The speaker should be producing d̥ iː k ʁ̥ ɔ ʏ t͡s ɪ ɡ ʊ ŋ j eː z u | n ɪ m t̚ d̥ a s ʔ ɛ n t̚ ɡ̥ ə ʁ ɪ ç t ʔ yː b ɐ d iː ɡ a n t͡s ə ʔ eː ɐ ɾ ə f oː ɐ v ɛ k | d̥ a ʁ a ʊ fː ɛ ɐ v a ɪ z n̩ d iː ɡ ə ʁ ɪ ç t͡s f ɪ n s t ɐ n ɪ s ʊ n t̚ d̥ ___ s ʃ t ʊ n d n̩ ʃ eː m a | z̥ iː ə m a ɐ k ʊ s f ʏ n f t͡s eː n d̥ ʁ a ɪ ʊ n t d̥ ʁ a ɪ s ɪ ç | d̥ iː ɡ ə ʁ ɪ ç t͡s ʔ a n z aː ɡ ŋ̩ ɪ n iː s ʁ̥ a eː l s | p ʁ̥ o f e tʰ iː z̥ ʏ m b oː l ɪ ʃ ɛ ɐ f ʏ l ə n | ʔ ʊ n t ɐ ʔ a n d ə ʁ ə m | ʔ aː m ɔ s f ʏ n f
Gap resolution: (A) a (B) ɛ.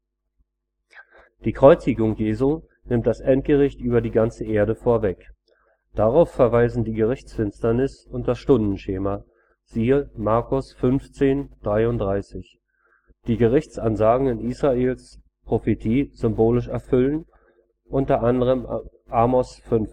A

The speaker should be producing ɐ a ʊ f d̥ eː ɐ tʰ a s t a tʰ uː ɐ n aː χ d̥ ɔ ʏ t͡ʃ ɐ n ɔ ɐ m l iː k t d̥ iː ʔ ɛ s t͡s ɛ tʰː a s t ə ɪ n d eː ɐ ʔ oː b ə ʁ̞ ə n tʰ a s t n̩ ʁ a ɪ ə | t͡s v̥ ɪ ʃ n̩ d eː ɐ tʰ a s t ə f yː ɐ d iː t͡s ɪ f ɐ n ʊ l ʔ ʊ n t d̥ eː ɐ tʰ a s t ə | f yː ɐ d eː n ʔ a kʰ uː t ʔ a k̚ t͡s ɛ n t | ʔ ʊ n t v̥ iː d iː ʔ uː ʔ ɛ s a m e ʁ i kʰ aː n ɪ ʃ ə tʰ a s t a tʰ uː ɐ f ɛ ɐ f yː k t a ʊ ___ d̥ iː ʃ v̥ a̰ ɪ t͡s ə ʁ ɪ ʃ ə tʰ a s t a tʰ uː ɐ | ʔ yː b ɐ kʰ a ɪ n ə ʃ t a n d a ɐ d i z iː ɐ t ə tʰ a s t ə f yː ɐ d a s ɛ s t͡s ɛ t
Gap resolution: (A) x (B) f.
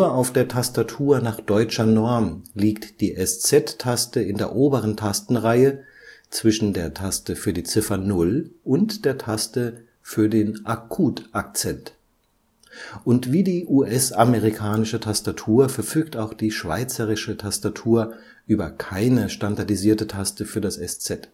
A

